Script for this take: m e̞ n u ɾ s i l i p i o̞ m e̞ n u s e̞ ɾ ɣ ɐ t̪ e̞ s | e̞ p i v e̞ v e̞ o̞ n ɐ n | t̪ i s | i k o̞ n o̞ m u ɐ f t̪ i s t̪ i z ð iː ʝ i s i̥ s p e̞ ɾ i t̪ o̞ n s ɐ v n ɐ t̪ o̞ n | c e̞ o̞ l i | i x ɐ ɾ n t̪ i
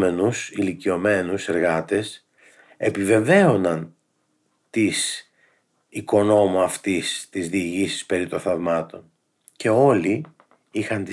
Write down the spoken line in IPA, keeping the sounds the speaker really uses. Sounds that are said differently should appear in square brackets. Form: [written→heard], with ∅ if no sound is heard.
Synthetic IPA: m e̞ n u [ɾ→∅] s i l i [p→c] i o̞ m e̞ n u s e̞ ɾ ɣ ɐ t̪ e̞ s | e̞ p i v e̞ v e̞ o̞ n ɐ n | t̪ i s | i k o̞ n o̞ m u ɐ f t̪ i s t̪ i z ð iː ʝ i s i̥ s p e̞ ɾ i t̪ o̞ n [s→θ] ɐ v [n→m] ɐ t̪ o̞ n | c e̞ o̞ l i | i x ɐ [ɾ→∅] n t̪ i